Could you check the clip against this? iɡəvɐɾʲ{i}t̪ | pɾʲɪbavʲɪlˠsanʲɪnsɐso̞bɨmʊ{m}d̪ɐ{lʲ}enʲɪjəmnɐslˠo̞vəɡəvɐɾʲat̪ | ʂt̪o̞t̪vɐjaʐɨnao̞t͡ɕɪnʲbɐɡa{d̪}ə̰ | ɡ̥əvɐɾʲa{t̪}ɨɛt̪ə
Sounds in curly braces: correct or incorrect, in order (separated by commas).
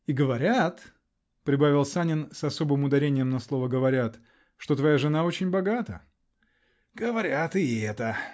incorrect, incorrect, incorrect, incorrect, correct